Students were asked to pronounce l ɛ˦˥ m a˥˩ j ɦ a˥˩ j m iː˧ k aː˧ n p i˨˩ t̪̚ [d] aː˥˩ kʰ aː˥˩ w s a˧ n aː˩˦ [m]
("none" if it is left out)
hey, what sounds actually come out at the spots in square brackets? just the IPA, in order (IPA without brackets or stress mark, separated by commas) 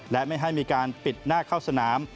n, m